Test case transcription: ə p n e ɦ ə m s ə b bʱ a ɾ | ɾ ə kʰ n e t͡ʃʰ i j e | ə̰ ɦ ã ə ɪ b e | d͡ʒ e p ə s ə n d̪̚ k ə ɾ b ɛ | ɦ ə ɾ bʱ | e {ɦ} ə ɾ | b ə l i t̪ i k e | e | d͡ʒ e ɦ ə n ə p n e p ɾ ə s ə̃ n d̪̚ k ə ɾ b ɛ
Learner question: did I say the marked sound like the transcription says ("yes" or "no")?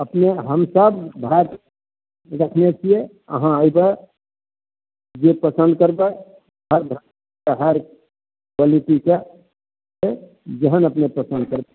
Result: yes